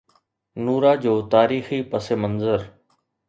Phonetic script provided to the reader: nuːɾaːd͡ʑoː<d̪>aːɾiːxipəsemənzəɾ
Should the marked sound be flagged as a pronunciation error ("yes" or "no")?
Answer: yes